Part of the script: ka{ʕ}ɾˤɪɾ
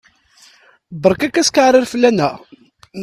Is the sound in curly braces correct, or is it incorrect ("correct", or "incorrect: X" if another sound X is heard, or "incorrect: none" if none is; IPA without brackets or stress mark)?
correct